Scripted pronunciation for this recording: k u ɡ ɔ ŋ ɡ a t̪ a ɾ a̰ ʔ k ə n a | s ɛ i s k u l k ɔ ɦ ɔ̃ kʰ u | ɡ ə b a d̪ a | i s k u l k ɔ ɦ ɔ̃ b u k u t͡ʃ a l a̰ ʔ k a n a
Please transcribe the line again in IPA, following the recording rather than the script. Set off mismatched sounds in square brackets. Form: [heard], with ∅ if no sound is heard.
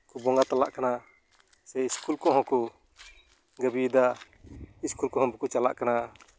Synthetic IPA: k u [b] ɔ ŋ ɡ a t̪ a [l] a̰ ʔ k [a] n a | s ɛ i s k u l k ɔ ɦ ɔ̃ [k] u | ɡ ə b [i] d̪ a | i s k u l k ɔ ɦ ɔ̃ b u k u t͡ʃ a l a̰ ʔ k a n a